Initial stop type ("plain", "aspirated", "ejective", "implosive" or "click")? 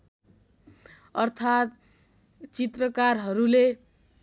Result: aspirated